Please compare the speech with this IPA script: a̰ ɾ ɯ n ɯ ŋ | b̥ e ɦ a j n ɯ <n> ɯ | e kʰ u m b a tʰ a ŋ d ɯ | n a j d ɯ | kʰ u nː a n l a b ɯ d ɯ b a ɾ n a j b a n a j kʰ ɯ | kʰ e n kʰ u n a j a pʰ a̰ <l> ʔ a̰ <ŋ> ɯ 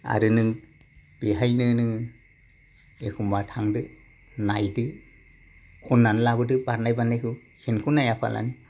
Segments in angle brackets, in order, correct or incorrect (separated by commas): correct, correct, incorrect